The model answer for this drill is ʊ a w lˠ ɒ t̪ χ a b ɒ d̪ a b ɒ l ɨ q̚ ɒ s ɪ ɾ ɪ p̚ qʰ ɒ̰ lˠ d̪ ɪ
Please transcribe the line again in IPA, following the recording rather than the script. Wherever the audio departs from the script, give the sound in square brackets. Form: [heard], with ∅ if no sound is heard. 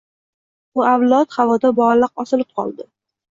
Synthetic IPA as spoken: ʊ a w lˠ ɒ t̪ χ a [v] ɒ d̪ a b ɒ l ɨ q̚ ɒ s ɪ [l] ɪ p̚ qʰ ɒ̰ lˠ d̪ ɪ